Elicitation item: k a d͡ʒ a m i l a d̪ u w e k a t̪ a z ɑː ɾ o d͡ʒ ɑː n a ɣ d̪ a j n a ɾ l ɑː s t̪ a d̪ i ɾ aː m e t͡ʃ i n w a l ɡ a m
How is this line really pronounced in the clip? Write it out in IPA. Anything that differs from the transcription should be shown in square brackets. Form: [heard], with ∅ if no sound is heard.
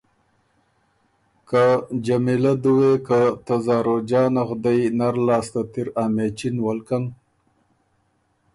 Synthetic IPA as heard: k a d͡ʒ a m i l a d̪ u w e k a t̪ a z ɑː ɾ o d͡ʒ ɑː n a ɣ d̪ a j n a ɾ l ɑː s t̪ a [t̪] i ɾ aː m e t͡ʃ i n w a l [k] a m